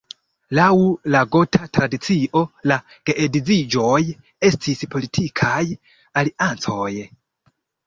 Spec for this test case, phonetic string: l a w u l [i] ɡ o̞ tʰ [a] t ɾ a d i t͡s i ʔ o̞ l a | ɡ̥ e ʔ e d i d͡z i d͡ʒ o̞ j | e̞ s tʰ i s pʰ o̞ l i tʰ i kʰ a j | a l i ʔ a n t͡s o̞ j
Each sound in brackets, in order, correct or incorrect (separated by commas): incorrect, correct